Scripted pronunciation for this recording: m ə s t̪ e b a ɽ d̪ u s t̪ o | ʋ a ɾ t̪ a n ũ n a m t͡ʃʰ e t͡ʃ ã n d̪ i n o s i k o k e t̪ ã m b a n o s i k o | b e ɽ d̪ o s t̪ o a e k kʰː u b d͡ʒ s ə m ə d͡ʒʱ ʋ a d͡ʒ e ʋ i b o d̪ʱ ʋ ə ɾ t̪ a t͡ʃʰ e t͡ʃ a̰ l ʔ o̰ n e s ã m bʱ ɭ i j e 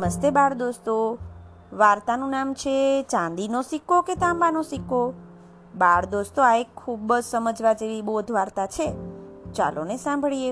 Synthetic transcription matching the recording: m ə s t̪ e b a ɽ d̪ o s t̪ o | ʋ a ɾ t̪ a n ũ n a m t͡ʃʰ e t͡ʃ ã n d̪ i n o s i k o k e t̪ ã m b a n o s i k o | b a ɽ d̪ o s t̪ o a e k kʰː u b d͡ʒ s ə m ə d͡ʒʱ ʋ a d͡ʒ e ʋ i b o d̪ʱ ʋ a ɾ t̪ a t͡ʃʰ e t͡ʃ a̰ l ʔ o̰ n e s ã m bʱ ɭ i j e